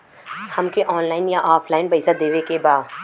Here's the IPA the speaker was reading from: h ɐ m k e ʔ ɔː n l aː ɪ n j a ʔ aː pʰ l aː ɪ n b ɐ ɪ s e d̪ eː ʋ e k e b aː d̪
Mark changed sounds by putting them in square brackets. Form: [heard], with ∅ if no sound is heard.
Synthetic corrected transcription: h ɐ m k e ʔ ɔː n l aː ɪ n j a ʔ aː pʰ l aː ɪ n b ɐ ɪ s [a] d̪ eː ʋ e k e b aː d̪